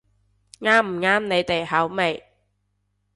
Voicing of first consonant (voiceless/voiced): voiced